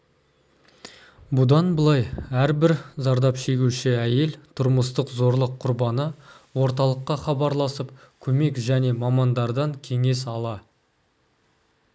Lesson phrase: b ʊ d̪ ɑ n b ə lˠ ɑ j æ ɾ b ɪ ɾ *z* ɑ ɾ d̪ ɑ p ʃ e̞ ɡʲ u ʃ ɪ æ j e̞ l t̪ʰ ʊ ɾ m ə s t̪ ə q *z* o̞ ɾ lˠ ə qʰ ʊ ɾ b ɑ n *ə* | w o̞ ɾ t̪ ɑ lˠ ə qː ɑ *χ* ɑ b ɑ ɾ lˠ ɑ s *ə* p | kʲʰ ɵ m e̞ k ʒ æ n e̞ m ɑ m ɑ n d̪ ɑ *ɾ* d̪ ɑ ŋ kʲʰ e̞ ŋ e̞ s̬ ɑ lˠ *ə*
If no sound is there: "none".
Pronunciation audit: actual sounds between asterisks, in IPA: z, z, ə, χ, ə, ɾ, ɑ

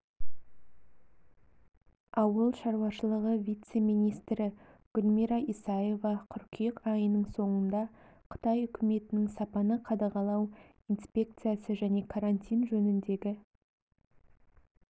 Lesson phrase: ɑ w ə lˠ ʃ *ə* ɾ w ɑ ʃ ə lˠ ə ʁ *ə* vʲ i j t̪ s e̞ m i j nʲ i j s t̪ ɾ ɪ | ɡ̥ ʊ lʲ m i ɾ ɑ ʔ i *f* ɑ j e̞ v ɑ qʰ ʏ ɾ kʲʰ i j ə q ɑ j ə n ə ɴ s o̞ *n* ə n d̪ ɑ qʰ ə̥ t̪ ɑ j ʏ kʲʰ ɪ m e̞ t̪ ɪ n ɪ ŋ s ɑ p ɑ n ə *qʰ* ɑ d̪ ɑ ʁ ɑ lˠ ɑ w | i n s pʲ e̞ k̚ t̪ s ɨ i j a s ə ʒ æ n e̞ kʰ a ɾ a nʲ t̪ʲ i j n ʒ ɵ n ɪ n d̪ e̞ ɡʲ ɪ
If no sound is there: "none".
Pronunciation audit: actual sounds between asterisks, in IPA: ɑ, ə, s, ɴ, qʰ

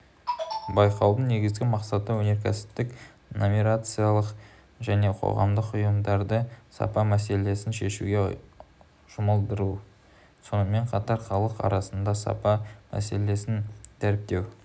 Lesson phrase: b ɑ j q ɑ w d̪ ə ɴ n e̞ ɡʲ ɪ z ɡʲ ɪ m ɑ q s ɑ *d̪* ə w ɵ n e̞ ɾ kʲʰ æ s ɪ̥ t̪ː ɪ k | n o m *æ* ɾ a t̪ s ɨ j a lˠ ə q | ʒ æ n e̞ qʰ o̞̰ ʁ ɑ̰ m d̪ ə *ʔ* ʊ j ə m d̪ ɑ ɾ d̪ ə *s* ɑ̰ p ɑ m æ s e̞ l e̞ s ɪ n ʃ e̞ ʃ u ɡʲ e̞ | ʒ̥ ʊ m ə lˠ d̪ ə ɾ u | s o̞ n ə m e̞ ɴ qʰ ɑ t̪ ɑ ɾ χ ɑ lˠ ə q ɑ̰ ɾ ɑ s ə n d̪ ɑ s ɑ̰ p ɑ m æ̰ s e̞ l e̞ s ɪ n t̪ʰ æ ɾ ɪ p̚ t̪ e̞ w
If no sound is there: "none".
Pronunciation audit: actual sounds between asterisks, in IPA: t̪, i, q, s

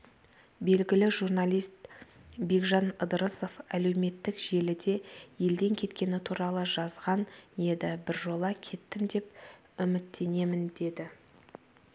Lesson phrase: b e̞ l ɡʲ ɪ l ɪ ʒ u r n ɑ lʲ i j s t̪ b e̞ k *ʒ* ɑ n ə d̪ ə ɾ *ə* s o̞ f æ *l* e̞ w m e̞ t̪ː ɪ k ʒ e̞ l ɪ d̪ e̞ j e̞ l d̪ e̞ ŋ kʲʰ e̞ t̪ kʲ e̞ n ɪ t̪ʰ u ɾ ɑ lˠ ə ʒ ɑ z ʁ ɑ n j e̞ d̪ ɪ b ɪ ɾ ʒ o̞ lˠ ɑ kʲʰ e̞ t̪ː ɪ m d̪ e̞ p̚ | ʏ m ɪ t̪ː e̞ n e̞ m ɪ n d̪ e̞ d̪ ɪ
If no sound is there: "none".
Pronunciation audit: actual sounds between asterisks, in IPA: ʒ, ə, l

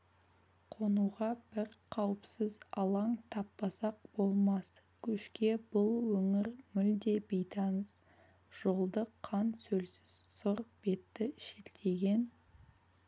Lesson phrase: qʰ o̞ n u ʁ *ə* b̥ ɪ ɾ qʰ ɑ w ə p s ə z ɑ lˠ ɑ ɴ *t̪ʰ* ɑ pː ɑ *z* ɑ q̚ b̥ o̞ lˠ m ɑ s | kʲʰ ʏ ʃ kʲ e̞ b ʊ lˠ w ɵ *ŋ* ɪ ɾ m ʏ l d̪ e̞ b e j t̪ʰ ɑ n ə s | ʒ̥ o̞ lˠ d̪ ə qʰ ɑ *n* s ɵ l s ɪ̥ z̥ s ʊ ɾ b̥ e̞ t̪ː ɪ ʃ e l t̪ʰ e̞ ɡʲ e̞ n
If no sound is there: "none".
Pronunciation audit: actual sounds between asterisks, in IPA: ɑ, t̪ʰ, s, ŋ, n

